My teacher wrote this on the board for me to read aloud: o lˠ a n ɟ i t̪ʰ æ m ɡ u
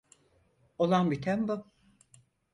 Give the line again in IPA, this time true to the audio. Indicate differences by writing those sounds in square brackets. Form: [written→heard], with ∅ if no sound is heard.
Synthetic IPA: o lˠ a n [ɟ→b] i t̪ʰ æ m [ɡ→b] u